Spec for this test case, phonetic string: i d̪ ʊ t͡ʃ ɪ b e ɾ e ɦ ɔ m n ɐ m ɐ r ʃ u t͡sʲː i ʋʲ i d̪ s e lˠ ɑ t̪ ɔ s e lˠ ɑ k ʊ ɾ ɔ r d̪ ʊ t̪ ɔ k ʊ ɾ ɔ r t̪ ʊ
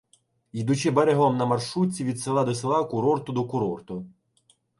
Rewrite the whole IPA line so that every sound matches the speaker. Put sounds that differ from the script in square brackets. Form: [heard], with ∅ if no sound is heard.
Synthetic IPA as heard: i d̪ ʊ t͡ʃ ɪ b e ɾ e ɦ ɔ m n ɐ m ɐ r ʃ u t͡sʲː i ʋʲ i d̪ s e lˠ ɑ [d̪] ɔ s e lˠ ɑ k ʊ ɾ ɔ r [t̪] ʊ [d̪] ɔ k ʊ ɾ ɔ r t̪ ʊ

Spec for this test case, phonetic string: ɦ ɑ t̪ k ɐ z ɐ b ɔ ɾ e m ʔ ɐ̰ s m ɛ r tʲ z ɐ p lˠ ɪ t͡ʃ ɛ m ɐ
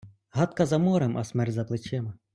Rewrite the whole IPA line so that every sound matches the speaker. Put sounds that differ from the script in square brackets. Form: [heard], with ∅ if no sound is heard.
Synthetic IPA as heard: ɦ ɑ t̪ k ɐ z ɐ [m] ɔ ɾ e m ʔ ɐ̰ s m ɛ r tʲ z ɐ p lˠ ɪ t͡ʃ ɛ m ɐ

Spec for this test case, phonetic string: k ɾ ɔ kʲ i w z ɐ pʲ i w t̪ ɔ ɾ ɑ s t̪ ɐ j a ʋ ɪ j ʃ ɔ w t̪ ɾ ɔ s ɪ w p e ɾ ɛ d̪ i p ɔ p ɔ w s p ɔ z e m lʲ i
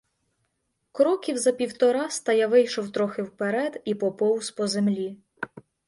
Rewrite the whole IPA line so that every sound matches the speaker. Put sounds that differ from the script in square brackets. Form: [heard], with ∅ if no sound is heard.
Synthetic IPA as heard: k ɾ ɔ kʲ i w z ɐ pʲ i w t̪ ɔ ɾ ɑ s t̪ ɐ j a ʋ ɪ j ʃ ɔ w t̪ ɾ ɔ [x] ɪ w p e ɾ ɛ d̪ i p ɔ p ɔ w s p ɔ z e m lʲ i

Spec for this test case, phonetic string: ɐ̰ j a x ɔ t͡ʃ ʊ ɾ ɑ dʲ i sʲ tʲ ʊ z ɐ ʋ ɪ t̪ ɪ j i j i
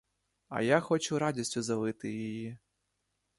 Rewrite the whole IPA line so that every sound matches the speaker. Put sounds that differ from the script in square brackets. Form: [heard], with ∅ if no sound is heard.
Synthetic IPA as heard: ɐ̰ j a x ɔ t͡ʃ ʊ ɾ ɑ dʲ i sʲ tʲ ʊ z ɐ ʋ ɪ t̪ ɪ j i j i

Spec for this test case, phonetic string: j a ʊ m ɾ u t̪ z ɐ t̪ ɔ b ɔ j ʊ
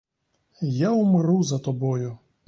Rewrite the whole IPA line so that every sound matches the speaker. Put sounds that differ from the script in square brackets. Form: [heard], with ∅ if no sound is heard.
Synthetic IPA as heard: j a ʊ m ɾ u [∅] z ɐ t̪ ɔ b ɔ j ʊ

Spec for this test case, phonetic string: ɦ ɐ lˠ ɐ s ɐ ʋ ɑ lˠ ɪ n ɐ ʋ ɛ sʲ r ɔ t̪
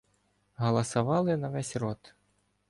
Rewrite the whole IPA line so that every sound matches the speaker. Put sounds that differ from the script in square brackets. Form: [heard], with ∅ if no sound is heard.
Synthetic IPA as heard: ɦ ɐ lˠ ɐ s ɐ ʋ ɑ lˠ ɪ n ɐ ʋ ɛ sʲ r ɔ t̪

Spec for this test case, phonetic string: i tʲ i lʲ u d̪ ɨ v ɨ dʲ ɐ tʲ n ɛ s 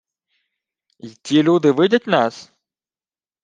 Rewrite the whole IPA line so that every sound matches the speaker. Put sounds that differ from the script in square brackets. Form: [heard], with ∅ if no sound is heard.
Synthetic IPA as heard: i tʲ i lʲ u d̪ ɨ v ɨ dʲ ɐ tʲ n [a] s

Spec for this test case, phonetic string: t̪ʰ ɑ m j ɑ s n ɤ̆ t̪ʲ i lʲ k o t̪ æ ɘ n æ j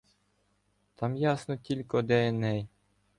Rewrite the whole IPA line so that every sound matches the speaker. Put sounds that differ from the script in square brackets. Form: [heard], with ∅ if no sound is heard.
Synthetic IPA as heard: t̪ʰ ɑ m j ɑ s n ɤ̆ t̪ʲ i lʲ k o [d̪] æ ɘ n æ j

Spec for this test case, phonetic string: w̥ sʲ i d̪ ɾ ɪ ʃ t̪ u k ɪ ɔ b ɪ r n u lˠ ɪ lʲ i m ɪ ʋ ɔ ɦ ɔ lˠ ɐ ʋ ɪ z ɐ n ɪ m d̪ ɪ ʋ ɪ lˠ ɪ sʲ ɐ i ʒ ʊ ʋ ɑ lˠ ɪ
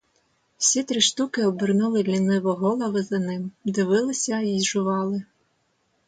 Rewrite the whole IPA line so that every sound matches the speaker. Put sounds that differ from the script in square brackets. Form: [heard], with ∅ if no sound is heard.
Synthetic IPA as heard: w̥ sʲ i [t̪] ɾ ɪ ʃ t̪ u k ɪ ɔ b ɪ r n u lˠ ɪ lʲ i [n] ɪ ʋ ɔ ɦ ɔ lˠ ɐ ʋ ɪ z ɐ n ɪ m d̪ ɪ ʋ ɪ lˠ ɪ sʲ ɐ i ʒ ʊ ʋ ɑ lˠ ɪ

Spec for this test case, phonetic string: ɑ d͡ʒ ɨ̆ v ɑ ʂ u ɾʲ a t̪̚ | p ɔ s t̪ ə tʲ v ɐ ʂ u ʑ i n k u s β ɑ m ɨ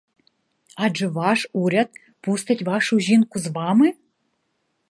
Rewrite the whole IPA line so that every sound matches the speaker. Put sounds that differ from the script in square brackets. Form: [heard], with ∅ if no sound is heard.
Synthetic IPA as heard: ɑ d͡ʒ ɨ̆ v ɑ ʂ u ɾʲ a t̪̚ | p [u] s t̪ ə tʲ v [ɑ] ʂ u ʑ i n k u [z] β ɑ m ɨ

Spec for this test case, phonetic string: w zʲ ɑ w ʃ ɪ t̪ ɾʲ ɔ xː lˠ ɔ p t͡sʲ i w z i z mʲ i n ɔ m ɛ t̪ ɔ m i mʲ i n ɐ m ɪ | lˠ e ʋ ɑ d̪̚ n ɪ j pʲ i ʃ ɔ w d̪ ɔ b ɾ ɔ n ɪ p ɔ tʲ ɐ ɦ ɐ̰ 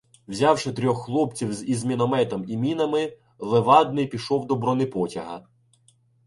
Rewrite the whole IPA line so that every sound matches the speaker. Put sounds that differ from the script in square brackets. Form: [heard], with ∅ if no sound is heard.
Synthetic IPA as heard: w zʲ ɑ w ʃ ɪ t̪ ɾʲ ɔ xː lˠ ɔ p t͡sʲ i w z i z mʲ i n ɔ m ɛ t̪ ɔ m i mʲ i n ɐ m ɪ | lˠ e ʋ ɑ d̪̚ n ɪ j pʲ i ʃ ɔ w d̪ ɔ b ɾ ɔ n ɪ p ɔ tʲ ɐ ɦ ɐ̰

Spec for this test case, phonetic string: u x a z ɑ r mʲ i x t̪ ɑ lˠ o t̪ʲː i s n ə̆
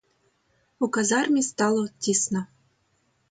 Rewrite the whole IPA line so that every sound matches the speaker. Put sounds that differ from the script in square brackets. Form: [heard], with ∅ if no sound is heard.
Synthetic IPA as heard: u [k] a z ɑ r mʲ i [s] t̪ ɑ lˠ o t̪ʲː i s n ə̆

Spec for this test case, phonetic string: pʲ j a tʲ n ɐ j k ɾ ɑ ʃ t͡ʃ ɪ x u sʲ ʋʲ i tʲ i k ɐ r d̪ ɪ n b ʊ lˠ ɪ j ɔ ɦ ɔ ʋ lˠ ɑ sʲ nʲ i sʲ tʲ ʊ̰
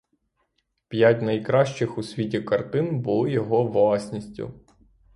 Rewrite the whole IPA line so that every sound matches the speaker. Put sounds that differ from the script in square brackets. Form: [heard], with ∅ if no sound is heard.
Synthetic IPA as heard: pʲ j a tʲ n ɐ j k ɾ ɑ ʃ t͡ʃ ɪ x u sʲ ʋʲ i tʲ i k ɐ r [t̪] ɪ n b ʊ lˠ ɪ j ɔ ɦ ɔ ʋ lˠ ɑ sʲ nʲ i sʲ tʲ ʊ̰

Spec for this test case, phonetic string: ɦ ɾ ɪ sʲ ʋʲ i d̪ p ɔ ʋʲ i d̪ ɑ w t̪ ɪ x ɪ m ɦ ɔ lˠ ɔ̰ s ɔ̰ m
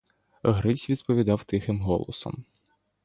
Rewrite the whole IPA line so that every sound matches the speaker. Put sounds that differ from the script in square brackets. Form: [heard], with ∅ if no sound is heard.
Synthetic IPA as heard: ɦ ɾ ɪ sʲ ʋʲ i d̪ p ɔ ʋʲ i d̪ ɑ w t̪ ɪ x ɪ m ɦ ɔ lˠ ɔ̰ s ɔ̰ m

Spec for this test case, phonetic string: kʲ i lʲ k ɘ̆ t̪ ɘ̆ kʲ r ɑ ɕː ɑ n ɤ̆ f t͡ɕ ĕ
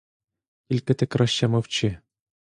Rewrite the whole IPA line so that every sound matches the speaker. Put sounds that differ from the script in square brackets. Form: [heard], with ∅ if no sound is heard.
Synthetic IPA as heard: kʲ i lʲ k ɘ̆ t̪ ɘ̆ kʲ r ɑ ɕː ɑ [m] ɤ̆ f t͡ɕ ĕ

